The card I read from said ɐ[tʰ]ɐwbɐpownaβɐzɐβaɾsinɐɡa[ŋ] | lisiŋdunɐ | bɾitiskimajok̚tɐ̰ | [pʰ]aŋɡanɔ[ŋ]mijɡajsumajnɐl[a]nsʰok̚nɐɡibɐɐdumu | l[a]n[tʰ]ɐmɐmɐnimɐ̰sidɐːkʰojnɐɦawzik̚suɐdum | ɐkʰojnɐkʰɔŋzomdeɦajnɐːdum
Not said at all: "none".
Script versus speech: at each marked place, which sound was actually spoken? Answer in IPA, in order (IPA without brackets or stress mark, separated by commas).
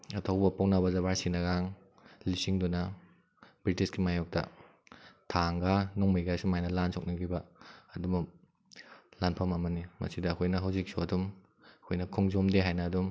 tʰ, ŋ, tʰ, ŋ, a, a, pʰ